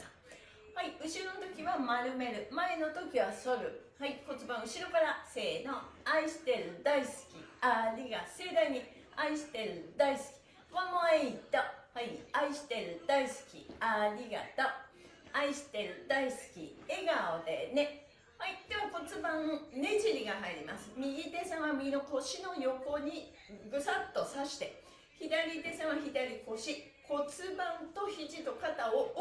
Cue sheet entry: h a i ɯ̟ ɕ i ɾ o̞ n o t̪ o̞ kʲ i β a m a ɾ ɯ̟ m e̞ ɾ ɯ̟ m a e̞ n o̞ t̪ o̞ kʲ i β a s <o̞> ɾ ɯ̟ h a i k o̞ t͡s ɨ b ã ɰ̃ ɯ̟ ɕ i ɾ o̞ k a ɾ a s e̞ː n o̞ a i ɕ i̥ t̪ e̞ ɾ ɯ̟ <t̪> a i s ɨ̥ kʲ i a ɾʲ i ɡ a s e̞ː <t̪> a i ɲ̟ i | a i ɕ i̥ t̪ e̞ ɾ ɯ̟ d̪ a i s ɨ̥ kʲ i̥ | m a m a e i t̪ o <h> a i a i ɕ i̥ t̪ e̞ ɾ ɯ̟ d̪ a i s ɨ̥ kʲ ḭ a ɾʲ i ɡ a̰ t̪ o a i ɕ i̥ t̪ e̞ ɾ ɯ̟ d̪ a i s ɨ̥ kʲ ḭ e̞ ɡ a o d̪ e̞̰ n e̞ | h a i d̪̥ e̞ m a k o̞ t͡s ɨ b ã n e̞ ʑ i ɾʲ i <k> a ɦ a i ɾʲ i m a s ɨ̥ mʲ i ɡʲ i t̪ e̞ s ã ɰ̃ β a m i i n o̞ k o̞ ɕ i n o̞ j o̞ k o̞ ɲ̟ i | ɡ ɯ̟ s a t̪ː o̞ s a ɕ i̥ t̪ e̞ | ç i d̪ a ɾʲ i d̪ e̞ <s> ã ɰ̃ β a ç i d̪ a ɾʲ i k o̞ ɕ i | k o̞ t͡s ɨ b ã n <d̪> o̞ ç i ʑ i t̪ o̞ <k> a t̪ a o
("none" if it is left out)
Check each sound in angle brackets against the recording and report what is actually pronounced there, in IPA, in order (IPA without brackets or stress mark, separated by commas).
o̞, d̪, d̪, h, ɡ, s, t̪, k